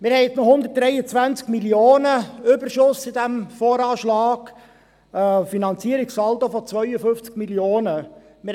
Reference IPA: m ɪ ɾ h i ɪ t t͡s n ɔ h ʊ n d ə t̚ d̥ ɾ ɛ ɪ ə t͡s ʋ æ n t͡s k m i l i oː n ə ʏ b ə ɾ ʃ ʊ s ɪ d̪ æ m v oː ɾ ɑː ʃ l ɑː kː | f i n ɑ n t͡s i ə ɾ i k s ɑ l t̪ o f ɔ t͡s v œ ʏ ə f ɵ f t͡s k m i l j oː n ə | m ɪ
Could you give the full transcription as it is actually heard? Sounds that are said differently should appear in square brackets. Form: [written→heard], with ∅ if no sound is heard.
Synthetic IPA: m ɪ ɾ h [i→ɛ] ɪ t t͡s n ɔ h ʊ n d ə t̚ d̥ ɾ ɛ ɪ ə t͡s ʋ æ n t͡s k m i l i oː n ə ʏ b ə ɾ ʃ ʊ s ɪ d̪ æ m [v→f] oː ɾ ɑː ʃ l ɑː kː | f i n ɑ n t͡s i ə ɾ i k s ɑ l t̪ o f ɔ t͡s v œ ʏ ə f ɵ f t͡s k m i l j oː n ə | m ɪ